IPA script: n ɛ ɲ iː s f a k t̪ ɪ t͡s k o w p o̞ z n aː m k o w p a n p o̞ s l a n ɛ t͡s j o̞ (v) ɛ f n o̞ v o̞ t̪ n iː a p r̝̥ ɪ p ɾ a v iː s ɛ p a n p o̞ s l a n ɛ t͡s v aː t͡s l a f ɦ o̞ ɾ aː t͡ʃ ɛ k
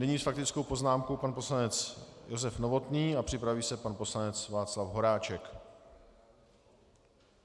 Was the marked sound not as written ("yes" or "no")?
yes